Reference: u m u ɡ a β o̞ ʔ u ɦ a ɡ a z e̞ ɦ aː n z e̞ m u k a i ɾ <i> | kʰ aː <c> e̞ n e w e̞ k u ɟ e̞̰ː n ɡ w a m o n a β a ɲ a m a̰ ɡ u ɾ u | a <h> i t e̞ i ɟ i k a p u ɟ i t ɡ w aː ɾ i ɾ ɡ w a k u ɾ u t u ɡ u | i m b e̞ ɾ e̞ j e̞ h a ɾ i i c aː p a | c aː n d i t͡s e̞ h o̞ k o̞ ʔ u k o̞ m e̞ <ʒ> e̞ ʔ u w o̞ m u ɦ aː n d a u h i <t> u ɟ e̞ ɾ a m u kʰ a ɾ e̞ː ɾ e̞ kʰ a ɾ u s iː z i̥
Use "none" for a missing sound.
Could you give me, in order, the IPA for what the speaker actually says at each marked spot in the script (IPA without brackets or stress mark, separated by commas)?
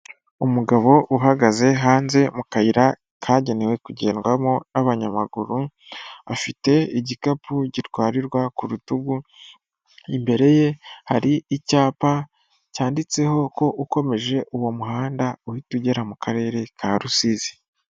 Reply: a, ɟ, f, ʒ, t